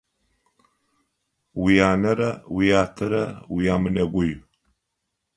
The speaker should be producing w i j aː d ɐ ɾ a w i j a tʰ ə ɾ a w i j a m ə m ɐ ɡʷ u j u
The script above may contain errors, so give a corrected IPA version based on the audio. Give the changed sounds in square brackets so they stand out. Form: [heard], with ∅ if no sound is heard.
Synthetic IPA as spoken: w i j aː [n] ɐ ɾ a w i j a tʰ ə ɾ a w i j a m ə [n] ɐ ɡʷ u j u